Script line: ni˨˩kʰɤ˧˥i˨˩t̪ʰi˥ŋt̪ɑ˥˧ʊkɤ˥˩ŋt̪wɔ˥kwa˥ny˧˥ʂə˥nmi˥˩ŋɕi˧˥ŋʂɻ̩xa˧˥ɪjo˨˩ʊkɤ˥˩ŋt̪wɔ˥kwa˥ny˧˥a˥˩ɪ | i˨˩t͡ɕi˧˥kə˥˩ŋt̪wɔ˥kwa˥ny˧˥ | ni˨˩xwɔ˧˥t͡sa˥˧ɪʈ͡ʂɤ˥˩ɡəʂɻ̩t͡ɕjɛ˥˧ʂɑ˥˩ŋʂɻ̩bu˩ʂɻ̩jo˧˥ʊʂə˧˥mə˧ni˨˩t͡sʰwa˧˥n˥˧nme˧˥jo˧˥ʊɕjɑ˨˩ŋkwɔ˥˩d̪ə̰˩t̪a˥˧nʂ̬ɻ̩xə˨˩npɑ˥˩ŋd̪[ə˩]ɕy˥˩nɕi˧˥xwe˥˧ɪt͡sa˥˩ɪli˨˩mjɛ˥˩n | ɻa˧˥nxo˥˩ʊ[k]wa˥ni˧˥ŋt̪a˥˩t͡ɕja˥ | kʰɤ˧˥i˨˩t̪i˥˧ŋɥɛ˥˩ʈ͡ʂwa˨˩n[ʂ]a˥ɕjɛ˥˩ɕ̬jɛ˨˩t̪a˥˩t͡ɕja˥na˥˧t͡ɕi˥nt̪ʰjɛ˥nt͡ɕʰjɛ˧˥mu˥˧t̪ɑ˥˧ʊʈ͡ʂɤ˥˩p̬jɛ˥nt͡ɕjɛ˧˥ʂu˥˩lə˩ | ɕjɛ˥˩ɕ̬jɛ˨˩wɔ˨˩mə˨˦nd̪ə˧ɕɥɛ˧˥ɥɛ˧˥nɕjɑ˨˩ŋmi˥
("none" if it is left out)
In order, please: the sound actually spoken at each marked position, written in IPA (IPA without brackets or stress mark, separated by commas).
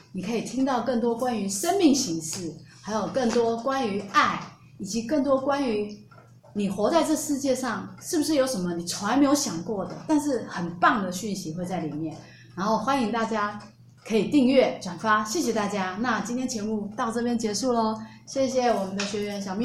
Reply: ə˩, x, f